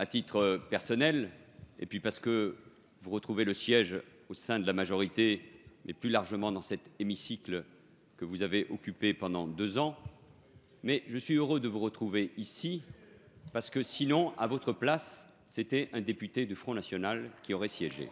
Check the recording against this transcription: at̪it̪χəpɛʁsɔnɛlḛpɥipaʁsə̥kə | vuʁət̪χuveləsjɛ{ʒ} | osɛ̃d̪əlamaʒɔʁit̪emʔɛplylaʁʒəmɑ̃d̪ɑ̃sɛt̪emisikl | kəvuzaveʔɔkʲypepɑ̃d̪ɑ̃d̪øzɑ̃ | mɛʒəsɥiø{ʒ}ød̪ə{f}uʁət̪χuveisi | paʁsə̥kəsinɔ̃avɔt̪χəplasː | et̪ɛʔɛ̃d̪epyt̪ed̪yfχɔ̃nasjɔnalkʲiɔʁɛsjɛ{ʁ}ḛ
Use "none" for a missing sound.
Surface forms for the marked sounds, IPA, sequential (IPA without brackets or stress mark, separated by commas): ʒ, ʁ, v, ʒ